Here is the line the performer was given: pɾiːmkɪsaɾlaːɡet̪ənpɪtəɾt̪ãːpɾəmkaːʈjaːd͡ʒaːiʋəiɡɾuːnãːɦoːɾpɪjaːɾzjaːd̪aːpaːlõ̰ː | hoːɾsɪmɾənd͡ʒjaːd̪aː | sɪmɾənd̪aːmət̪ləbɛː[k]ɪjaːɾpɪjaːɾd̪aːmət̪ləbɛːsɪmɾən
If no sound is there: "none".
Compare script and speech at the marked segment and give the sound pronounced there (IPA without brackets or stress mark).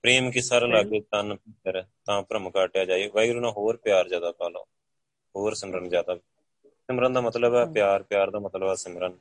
p